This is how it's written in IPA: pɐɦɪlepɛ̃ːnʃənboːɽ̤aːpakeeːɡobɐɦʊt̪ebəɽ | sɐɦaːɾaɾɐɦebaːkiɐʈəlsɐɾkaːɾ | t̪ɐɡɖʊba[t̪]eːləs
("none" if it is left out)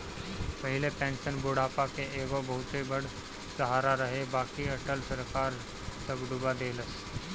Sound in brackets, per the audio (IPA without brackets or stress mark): d̪